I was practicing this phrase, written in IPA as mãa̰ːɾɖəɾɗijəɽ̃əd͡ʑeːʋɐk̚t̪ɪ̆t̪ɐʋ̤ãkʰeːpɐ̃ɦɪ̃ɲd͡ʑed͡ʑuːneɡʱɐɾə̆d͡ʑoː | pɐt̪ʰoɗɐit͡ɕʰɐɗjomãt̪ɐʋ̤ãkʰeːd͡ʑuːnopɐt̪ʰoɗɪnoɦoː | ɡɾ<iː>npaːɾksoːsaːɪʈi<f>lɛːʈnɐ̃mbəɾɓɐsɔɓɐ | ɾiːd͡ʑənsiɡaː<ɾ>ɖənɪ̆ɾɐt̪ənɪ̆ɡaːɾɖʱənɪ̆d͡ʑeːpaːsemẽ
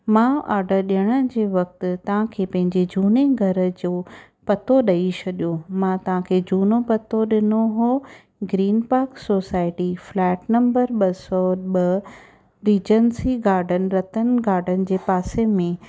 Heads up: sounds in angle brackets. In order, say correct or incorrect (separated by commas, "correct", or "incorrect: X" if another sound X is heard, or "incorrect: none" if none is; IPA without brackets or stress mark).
correct, correct, correct